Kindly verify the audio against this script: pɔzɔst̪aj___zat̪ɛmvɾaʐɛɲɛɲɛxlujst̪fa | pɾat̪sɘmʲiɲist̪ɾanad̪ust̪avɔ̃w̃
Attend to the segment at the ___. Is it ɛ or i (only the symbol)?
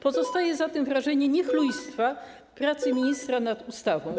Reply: ɛ